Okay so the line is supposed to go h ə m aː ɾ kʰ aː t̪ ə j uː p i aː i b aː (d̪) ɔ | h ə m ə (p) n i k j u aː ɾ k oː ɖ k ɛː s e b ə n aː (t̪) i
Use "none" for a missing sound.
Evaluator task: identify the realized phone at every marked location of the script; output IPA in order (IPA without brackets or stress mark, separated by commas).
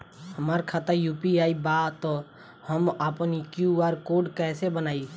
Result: t̪, p, none